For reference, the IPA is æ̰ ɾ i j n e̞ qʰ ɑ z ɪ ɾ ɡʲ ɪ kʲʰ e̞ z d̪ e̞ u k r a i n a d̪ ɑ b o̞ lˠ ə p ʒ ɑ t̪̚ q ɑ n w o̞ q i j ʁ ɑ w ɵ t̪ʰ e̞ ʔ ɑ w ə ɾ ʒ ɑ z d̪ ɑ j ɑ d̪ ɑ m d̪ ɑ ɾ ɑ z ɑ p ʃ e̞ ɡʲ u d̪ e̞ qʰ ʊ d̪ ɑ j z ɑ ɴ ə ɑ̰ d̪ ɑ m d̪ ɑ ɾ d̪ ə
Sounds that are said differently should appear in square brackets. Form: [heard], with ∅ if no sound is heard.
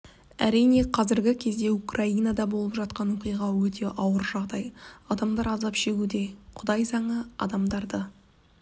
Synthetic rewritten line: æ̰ ɾ i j n e̞ qʰ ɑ z ɪ ɾ ɡʲ ɪ kʲʰ e̞ z d̪ e̞ u k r a i n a d̪ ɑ b o̞ lˠ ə p ʒ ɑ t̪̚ q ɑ n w o̞ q i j ʁ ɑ w ɵ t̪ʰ e̞ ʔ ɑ w ə ɾ ʒ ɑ [ʁ] d̪ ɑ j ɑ d̪ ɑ m d̪ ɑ ɾ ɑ z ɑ p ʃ e̞ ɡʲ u d̪ e̞ qʰ ʊ d̪ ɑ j z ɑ ɴ ə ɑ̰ d̪ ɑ m d̪ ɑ ɾ d̪ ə